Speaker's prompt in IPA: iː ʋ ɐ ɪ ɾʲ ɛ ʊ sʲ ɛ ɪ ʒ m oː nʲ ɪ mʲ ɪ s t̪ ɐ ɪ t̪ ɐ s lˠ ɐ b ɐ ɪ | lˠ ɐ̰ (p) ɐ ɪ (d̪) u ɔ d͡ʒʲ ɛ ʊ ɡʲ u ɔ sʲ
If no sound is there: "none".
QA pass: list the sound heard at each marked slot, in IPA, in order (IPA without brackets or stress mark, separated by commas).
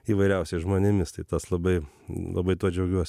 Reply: b, t̪